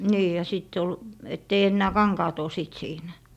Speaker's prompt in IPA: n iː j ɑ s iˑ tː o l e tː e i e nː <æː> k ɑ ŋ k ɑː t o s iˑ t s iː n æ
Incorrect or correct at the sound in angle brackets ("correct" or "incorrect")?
correct